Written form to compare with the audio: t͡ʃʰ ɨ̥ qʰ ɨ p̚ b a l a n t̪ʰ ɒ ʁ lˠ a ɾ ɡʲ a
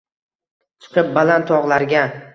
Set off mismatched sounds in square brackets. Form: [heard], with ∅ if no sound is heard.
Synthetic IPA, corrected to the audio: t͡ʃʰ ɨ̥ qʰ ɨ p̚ b a l a n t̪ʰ ɒ ʁ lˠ a ɾ ɡʲ a